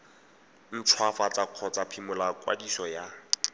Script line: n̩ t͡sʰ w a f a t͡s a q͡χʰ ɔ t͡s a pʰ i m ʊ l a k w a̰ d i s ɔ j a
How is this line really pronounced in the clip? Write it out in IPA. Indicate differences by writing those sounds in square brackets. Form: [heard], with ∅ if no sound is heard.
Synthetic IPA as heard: n̩ t͡sʰ w a f a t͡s a q͡χʰ ɔ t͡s a pʰ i m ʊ l a k w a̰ d i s ɔ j a